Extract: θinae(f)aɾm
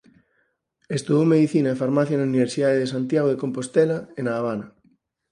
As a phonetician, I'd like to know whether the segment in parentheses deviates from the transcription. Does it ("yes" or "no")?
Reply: no